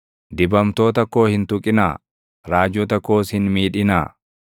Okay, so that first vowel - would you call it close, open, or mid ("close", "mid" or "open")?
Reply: close